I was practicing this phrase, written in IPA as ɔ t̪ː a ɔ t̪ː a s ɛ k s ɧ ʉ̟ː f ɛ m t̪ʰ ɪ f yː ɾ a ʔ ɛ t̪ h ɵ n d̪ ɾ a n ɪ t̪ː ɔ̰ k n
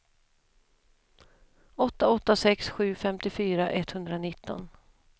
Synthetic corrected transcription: ɔ t̪ː a ɔ t̪ː a s ɛ k s ɧ ʉ̟ː f ɛ m t̪ ɪ f yː ɾ a ʔ ɛ t̪ h ɵ n d̪ ɾ a n ɪ t̪ː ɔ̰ n